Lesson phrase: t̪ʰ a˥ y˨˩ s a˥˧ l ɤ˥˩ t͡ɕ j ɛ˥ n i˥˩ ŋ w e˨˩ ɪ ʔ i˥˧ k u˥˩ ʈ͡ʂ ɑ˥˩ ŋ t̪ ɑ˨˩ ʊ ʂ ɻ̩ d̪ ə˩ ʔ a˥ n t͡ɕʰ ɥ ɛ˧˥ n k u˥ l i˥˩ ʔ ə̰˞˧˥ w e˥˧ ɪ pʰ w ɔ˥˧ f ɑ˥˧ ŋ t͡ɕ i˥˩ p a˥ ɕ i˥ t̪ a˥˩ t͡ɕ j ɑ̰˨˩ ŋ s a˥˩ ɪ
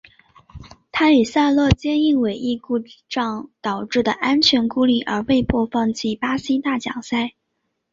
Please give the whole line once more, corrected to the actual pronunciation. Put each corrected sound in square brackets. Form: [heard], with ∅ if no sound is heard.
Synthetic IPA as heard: t̪ʰ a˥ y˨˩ s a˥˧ l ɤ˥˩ t͡ɕ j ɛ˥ n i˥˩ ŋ w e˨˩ ɪ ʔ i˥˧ k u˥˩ ʈ͡ʂ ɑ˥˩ ŋ t̪ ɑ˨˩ ʊ [ʈ͡ʂ] ɻ̩ d̪ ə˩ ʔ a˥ n t͡ɕʰ ɥ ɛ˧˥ n k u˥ l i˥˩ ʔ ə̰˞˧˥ w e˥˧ ɪ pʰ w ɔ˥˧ f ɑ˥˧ ŋ t͡ɕ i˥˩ p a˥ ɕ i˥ t̪ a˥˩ t͡ɕ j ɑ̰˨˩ ŋ s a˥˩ ɪ